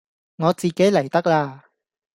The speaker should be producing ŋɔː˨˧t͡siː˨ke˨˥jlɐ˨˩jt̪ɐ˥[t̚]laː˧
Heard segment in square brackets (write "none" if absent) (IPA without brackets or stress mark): k̚